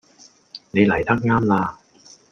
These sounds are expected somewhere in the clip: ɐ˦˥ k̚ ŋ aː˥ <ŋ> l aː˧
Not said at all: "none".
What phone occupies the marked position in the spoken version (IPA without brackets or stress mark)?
m